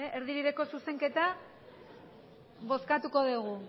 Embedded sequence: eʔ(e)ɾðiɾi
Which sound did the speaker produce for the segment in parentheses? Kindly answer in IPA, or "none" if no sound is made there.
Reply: e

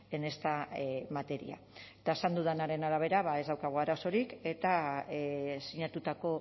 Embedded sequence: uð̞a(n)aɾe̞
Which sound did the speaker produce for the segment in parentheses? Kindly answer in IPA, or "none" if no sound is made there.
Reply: n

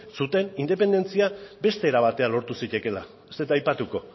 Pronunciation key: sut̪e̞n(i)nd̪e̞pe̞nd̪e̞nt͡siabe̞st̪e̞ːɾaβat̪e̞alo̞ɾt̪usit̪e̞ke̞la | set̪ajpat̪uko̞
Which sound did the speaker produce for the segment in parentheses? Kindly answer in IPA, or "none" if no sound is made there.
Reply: i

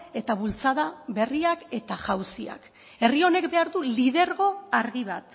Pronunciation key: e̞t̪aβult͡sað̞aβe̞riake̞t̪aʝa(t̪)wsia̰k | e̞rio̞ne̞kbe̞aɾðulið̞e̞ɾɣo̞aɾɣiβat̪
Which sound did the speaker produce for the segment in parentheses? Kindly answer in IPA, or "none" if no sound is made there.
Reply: none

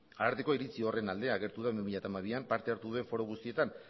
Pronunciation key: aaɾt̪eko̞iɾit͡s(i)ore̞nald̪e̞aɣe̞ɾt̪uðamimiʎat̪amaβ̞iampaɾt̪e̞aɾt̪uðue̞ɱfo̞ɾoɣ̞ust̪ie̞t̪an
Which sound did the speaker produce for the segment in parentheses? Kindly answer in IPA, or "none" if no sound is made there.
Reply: i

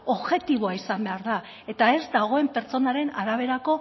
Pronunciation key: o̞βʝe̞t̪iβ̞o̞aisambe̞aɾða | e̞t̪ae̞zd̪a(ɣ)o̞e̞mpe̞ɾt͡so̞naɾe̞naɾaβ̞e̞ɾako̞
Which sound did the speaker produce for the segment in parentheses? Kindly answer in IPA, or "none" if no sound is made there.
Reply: ɣ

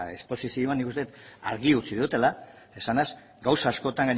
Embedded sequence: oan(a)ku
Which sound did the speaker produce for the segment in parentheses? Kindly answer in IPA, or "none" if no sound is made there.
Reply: i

